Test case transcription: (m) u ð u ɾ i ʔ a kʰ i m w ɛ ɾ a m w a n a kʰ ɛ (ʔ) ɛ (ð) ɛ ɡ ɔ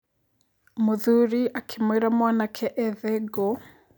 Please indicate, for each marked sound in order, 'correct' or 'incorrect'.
correct, correct, correct

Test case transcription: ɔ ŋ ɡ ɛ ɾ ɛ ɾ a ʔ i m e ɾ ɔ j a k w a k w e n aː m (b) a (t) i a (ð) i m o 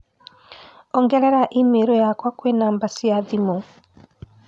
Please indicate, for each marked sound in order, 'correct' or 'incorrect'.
correct, incorrect, correct

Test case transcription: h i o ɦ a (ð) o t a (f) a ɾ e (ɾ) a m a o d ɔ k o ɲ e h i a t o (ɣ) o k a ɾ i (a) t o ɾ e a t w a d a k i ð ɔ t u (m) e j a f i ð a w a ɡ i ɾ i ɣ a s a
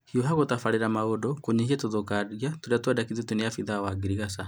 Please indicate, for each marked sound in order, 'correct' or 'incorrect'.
incorrect, correct, correct, incorrect, correct, incorrect

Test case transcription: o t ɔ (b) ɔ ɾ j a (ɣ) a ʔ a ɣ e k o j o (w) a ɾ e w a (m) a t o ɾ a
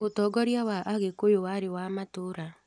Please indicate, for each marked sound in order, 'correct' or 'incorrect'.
incorrect, incorrect, correct, correct

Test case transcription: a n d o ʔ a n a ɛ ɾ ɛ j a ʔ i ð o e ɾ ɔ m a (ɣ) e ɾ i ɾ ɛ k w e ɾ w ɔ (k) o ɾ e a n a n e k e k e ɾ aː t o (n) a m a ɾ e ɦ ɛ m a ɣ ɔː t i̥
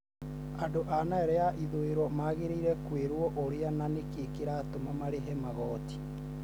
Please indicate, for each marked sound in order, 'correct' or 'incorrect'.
correct, incorrect, incorrect

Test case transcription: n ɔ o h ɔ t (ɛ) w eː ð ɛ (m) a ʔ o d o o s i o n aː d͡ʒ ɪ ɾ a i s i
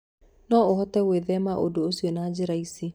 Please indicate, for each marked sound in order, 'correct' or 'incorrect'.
correct, correct

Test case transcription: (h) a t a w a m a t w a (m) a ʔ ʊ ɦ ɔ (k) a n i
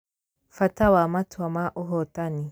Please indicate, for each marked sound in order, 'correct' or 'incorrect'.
incorrect, correct, incorrect

